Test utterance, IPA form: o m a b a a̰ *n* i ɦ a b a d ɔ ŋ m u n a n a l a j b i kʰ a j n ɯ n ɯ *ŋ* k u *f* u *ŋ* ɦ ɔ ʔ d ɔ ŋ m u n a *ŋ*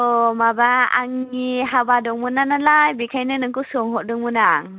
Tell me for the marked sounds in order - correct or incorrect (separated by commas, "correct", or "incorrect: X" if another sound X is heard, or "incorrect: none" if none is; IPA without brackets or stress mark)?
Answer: incorrect: ŋ, correct, incorrect: s, correct, correct